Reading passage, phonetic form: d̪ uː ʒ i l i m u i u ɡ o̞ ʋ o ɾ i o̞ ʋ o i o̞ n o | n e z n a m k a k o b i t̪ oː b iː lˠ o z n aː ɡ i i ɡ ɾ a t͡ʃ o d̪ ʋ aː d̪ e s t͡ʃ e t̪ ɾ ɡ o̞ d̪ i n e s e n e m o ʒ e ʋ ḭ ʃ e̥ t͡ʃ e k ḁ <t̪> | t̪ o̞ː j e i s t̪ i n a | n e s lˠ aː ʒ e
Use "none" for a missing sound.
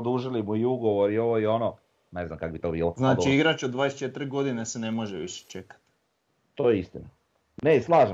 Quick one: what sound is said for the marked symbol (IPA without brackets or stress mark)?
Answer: t̪